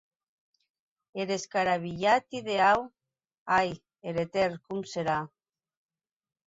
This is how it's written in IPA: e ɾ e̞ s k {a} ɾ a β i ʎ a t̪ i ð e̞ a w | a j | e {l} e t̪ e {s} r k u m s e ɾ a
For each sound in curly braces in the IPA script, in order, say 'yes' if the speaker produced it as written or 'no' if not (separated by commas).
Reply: yes, no, no